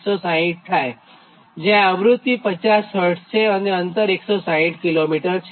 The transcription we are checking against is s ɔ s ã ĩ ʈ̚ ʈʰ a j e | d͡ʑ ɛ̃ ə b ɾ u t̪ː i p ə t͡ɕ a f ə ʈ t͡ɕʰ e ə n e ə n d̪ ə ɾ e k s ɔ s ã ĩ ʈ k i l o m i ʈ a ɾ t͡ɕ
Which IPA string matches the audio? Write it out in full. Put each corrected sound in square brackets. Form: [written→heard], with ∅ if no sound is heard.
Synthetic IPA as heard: s ɔ s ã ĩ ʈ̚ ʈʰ a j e | d͡ʑ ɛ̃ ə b ɾ u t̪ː i p ə t͡ɕ a [f→s] ə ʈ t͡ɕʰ e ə n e ə n [d̪→t̪] ə ɾ e k s ɔ s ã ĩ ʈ k i l o m i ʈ [a→ə] ɾ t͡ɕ

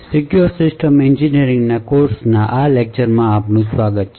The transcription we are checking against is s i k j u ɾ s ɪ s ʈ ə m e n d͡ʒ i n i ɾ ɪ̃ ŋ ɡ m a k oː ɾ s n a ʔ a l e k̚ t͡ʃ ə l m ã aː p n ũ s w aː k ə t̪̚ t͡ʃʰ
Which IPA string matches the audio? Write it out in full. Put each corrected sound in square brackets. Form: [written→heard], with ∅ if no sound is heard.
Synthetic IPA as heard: s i k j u ɾ s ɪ s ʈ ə m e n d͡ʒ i n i ɾ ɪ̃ ŋ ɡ [m→n] a k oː ɾ s n a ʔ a l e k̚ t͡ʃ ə [l→ɾ] m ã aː p n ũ s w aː [k→ɡ] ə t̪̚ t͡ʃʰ

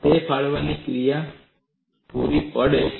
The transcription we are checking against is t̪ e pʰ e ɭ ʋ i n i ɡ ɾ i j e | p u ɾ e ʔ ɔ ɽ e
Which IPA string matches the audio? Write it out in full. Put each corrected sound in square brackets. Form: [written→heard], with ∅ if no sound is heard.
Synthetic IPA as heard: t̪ e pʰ [e→a] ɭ ʋ [i→a] n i [ɡ→k] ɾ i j [e→a] | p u ɾ [e→i] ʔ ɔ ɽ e

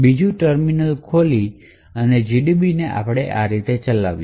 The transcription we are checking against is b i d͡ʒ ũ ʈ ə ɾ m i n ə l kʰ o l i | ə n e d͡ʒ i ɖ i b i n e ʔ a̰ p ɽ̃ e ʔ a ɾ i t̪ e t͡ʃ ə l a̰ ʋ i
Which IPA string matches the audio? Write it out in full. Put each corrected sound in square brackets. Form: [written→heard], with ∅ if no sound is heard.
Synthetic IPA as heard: b i d͡ʒ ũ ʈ ə ɾ m i n ə l kʰ o l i | ə n e d͡ʒ i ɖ i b i n e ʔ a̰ p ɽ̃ e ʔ a ɾ i t̪ e t͡ʃ ə l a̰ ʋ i

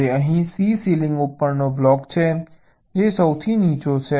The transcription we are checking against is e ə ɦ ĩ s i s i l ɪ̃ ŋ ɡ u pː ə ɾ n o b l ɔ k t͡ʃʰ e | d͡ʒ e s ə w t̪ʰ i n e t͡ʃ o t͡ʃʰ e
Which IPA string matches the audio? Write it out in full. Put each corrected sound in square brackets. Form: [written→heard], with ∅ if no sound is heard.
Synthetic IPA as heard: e ə ɦ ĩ s i s i l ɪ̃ ŋ ɡ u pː ə ɾ n o b l ɔ k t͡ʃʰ e | d͡ʒ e s ə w t̪ʰ i n [e→i] t͡ʃ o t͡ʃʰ e

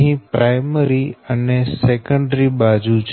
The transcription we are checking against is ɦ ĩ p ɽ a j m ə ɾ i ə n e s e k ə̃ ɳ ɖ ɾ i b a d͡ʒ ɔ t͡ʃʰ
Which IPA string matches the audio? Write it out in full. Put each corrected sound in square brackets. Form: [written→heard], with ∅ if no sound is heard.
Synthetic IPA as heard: ɦ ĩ p [ɽ→ɾ] a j m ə ɾ i ə n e s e k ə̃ ɳ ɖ ɾ i b a d͡ʒ [ɔ→u] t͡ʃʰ

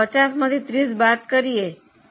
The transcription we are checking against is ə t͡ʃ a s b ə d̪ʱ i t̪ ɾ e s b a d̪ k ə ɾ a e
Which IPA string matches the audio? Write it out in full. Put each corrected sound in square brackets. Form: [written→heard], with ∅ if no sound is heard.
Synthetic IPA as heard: ə t͡ʃ a s [b→m] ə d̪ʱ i t̪ ɾ [e→i] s b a [d̪→t̪] k ə ɾ [a→i] e

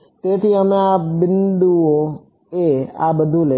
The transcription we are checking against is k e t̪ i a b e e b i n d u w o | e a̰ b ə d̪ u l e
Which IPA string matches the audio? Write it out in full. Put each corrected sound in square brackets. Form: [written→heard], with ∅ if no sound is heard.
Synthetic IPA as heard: [k→t] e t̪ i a [b→m] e [e→a] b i n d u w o | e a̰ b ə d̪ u l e

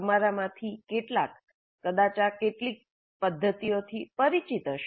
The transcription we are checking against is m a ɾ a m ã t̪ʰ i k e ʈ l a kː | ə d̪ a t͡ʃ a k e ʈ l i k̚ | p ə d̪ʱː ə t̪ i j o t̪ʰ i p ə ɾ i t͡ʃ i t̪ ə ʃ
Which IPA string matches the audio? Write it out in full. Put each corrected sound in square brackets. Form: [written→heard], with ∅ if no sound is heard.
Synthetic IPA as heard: m a ɾ a m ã t̪ʰ i k e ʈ l a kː | ə d̪ a t͡ʃ a k e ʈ l i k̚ | p ə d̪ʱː ə t̪ i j o t̪ʰ i p ə ɾ i t͡ʃ i t̪ ə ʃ

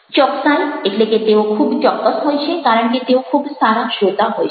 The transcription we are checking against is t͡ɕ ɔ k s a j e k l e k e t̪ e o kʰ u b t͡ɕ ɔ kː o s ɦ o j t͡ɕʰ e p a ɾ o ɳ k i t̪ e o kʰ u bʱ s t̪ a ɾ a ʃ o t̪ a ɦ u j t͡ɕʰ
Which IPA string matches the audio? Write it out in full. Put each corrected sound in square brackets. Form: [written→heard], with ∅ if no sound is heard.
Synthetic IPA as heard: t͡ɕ ɔ k s a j e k l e k e t̪ e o kʰ u b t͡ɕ ɔ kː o s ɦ o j t͡ɕʰ e [p→k] a ɾ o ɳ k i t̪ e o kʰ u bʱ s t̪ a ɾ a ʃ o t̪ a ɦ [u→o] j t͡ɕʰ

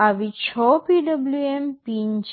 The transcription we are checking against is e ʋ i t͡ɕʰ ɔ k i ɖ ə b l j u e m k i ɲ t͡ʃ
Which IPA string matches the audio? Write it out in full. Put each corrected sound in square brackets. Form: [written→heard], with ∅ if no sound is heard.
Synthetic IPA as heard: [e→a] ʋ i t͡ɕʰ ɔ [k→p] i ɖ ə b l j u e m [k→p] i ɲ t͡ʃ

